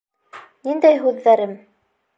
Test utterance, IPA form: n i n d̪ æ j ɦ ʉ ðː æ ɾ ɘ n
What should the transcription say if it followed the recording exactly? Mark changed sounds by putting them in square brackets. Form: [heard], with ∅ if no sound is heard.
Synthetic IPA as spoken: n i n d̪ æ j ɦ ʉ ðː æ ɾ ɘ [m]